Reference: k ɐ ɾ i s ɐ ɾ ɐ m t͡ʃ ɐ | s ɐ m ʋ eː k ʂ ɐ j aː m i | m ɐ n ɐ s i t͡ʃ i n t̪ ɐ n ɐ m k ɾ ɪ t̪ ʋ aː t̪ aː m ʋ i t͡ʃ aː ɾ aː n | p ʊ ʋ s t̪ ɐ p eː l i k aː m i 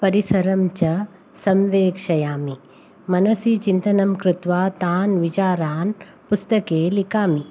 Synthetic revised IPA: p ɐ ɾ i s ɐ ɾ ɐ m t͡ʃ ɐ | s ɐ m ʋ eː k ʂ ɐ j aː m i | m ɐ n ɐ s i t͡ʃ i n t̪ ɐ n ɐ m k ɾ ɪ t̪ ʋ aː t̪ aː n ʋ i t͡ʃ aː ɾ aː n | p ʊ s t̪ ɐ k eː l i k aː m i